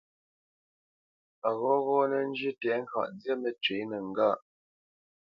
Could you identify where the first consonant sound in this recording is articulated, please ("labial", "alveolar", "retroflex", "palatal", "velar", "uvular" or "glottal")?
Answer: velar